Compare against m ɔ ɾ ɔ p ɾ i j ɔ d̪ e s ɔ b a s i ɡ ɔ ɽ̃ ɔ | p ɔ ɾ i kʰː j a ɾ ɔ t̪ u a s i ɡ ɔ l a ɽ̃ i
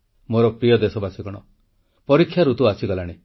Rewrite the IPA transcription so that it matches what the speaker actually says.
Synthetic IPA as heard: m o ɾ ɔ p ɾ i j ɔ d̪ e s ɔ b a s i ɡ ɔ ɽ̃ ɔ | p ɔ ɾ i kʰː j a ɾ u t̪ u a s i ɡ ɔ l a ɽ̃ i